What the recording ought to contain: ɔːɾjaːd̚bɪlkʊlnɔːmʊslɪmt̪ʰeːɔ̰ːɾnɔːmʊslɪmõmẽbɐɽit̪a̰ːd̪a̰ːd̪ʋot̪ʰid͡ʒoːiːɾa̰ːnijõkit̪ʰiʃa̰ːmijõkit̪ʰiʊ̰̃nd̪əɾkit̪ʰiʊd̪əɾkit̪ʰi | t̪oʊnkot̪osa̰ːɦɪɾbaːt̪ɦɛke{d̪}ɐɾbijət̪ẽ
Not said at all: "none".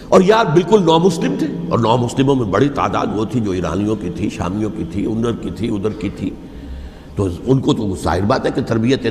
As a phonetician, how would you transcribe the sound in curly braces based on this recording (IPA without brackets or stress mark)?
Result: t̪